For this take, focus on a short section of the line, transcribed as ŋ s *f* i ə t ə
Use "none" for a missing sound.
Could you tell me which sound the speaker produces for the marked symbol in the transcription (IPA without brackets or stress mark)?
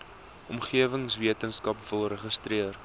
v